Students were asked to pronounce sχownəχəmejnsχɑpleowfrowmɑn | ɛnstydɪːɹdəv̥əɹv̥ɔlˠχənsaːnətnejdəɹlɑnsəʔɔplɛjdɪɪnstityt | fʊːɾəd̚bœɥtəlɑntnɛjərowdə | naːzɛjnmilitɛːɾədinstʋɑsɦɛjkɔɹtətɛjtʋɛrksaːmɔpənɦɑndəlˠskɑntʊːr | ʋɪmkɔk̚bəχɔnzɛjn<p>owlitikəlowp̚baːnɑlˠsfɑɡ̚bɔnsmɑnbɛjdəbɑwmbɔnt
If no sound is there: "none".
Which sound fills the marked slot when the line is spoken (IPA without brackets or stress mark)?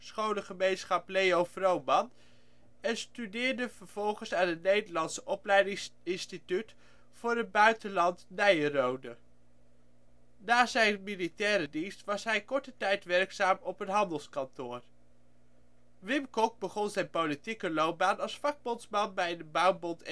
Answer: p